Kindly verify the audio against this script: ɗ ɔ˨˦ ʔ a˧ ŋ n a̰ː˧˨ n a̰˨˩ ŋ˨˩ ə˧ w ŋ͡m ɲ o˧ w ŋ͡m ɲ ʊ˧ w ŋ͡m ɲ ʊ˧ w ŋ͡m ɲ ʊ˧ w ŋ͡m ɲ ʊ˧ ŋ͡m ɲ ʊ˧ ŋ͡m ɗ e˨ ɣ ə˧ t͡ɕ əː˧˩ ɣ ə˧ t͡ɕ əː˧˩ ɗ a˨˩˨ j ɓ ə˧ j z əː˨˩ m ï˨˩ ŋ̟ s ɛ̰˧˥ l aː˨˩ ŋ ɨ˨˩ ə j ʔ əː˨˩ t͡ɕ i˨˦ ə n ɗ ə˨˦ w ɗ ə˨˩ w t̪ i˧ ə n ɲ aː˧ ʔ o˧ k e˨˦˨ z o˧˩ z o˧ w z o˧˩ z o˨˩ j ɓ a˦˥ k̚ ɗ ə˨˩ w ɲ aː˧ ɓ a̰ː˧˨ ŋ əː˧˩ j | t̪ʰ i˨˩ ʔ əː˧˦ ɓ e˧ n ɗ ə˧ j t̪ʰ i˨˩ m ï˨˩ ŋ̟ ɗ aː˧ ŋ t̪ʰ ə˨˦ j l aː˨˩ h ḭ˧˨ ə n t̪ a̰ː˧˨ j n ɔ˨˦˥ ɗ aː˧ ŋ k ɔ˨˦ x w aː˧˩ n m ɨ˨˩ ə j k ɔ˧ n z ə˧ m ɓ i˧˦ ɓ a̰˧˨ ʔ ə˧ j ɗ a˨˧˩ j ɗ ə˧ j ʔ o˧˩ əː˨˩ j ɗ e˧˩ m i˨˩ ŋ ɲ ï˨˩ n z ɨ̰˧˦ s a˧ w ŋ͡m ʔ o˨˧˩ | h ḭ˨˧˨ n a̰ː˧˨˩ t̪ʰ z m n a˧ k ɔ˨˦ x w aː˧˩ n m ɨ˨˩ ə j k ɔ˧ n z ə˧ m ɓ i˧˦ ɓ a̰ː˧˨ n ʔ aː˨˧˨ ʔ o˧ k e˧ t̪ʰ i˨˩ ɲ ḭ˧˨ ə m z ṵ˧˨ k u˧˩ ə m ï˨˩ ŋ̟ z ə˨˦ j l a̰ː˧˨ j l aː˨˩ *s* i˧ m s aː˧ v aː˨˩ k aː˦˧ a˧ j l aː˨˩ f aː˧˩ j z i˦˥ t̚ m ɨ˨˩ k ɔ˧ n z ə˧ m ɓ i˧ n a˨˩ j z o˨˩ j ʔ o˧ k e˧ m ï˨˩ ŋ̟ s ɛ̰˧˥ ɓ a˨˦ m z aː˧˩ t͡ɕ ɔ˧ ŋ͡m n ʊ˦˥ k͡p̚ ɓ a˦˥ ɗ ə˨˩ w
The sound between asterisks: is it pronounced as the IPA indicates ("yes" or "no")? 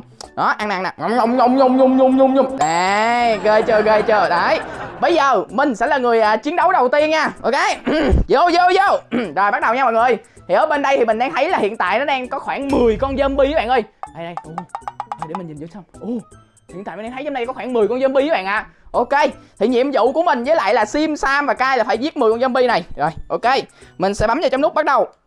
yes